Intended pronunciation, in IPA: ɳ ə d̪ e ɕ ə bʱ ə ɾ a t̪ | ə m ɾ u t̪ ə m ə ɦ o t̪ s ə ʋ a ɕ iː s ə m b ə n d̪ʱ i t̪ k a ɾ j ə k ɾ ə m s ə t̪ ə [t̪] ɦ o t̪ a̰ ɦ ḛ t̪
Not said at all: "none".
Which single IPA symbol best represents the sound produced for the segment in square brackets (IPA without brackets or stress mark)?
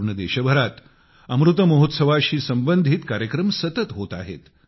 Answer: t̪